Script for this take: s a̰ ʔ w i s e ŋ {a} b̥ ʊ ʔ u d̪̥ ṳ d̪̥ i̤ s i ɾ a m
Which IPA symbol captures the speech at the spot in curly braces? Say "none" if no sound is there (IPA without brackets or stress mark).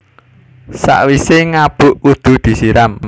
a